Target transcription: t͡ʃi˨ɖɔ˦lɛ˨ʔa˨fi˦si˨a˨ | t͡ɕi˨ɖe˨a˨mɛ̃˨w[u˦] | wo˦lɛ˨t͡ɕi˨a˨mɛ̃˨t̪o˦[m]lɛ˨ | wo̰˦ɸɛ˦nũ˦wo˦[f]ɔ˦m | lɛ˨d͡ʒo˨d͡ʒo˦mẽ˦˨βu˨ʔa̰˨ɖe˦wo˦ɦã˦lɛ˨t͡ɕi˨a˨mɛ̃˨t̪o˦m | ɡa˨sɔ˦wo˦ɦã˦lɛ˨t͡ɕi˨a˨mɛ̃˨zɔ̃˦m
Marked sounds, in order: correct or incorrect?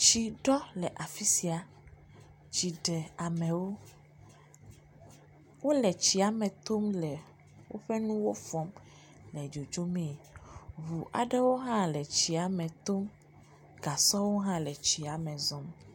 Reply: incorrect, correct, correct

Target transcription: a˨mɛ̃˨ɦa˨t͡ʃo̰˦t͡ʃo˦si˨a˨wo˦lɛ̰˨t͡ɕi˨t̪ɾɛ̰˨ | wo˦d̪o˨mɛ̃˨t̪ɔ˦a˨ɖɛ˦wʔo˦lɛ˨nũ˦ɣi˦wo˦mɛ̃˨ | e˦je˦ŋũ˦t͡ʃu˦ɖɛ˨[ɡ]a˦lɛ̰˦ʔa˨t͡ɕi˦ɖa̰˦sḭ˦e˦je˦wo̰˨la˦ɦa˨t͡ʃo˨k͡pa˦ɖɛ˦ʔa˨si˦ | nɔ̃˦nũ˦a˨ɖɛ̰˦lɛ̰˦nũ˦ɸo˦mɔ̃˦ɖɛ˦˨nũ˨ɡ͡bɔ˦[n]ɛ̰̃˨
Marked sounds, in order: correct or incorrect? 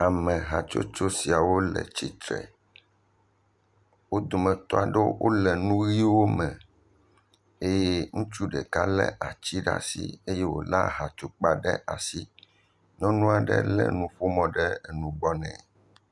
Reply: incorrect, correct

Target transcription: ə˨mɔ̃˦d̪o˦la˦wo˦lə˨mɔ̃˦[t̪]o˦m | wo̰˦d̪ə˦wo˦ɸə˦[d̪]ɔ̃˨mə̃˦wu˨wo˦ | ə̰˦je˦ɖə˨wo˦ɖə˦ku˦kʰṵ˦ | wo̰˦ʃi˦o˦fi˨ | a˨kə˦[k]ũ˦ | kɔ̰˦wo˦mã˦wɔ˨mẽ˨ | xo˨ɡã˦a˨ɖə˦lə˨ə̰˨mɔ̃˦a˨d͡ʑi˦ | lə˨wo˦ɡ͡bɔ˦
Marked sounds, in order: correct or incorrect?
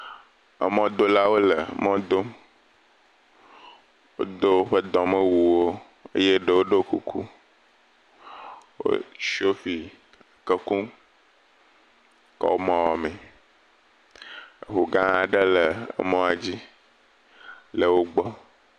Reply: incorrect, correct, correct

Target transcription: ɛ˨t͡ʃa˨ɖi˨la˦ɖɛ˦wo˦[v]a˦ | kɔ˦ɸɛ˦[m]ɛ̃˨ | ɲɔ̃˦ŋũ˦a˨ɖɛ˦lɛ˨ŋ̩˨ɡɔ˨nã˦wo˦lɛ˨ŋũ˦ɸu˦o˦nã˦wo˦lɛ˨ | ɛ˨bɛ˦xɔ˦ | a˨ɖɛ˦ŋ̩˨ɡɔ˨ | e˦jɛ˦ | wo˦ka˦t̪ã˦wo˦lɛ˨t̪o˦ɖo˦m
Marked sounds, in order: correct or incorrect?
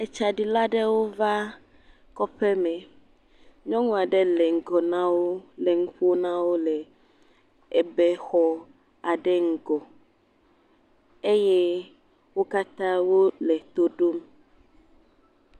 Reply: correct, correct

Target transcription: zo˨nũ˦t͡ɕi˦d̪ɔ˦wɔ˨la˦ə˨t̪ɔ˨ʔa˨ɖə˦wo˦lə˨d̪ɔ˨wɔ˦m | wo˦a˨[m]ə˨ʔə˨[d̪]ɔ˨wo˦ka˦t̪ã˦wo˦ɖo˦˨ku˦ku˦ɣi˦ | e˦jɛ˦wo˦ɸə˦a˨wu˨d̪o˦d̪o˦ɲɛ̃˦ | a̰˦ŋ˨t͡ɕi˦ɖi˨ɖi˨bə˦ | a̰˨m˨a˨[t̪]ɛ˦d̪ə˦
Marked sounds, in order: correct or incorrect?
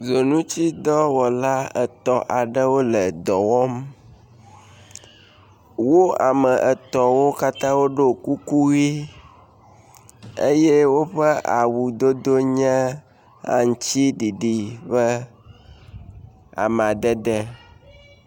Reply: correct, incorrect, incorrect

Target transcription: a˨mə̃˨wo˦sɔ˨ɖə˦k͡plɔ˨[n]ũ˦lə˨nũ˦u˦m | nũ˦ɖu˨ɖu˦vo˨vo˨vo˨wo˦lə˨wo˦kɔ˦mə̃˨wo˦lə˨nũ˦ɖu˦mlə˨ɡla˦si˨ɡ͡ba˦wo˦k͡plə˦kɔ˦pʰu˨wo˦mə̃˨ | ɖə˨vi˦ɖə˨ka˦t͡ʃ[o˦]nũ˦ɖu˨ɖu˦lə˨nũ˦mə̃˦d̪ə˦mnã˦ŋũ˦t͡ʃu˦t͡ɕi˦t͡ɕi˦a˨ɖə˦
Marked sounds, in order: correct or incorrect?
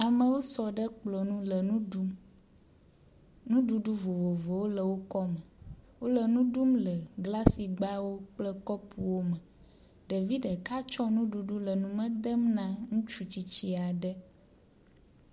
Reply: correct, incorrect

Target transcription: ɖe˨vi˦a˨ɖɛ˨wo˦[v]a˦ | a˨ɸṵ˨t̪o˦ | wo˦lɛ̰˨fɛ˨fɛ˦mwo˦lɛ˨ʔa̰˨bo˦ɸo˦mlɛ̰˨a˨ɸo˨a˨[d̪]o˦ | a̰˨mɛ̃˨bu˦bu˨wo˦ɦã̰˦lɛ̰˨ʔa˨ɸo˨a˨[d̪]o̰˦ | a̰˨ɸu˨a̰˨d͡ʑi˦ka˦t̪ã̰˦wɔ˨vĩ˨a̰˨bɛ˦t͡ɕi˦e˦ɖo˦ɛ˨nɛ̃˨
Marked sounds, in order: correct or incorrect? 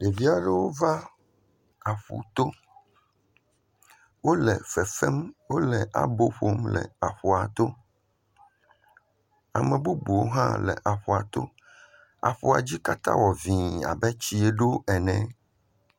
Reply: correct, incorrect, incorrect

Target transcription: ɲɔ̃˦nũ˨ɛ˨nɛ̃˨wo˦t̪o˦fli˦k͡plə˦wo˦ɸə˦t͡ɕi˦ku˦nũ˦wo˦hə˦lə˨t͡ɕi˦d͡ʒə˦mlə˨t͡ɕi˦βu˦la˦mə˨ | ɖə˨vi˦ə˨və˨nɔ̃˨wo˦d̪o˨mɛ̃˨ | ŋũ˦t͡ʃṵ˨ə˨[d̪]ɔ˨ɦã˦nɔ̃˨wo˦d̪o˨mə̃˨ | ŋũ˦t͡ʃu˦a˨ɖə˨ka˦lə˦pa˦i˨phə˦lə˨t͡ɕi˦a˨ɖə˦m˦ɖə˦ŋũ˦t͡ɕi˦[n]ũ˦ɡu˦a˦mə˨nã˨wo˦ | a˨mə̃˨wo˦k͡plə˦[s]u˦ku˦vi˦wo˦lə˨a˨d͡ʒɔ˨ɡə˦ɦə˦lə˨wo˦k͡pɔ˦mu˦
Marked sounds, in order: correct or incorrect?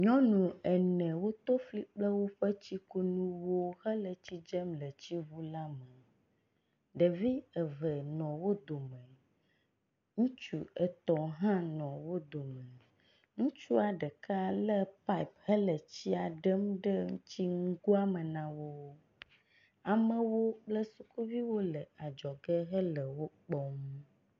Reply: incorrect, incorrect, correct

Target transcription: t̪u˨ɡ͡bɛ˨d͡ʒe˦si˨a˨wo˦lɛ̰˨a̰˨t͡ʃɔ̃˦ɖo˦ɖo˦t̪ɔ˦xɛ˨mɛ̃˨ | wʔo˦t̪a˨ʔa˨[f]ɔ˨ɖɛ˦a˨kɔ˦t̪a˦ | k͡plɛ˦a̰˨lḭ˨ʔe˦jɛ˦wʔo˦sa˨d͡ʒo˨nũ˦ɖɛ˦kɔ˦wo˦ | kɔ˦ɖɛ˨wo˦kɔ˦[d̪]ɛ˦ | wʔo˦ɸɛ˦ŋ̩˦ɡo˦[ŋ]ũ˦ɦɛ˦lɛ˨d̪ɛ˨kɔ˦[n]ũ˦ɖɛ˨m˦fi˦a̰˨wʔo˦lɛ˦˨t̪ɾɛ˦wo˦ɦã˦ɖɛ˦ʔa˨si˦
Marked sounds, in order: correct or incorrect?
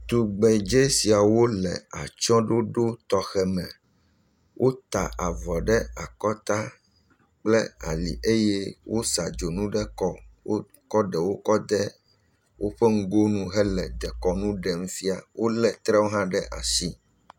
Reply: incorrect, correct, incorrect, correct

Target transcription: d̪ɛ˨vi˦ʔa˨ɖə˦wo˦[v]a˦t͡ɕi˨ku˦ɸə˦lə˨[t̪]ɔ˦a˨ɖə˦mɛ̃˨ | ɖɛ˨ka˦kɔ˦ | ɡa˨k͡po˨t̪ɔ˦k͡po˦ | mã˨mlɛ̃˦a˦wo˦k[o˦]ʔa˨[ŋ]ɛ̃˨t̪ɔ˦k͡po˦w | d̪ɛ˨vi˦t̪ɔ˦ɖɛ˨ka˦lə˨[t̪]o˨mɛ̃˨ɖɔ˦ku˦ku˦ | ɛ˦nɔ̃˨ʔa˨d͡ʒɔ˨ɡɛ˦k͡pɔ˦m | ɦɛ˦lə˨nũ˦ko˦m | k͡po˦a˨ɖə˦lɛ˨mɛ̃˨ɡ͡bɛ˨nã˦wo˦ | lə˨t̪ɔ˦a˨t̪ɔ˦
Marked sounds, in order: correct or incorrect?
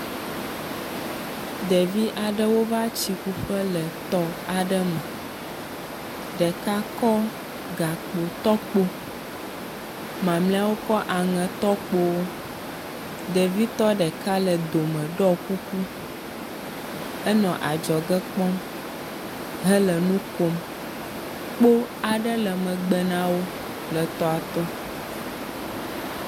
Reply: correct, correct, incorrect, correct, incorrect

